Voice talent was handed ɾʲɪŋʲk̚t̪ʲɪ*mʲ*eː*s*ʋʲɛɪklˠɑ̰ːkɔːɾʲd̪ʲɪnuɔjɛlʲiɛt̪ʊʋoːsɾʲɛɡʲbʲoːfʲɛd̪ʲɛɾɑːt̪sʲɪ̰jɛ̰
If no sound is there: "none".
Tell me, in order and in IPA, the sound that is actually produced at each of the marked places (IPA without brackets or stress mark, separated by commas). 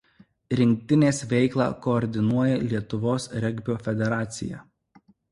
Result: nʲ, s